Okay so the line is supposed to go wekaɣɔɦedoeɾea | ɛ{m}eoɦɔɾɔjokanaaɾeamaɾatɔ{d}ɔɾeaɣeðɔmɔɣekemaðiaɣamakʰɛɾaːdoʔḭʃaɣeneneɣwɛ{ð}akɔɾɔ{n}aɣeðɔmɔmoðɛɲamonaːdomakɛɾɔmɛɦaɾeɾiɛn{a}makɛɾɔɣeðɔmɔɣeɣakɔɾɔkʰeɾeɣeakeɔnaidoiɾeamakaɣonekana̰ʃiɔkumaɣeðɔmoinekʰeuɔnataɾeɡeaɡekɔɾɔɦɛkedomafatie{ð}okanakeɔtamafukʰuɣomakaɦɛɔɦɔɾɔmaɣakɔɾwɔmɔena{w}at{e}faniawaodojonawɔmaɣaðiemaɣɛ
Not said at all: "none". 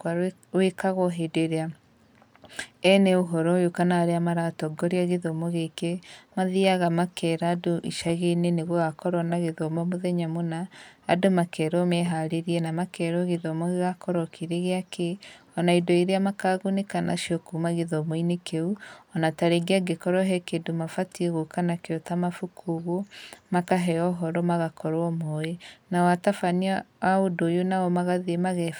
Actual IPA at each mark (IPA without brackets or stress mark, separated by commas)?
n, ɡ, ɣ, n, a, ɣ, w, a